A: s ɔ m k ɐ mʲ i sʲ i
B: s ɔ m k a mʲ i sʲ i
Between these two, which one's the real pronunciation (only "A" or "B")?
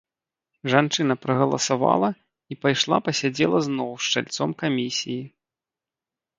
B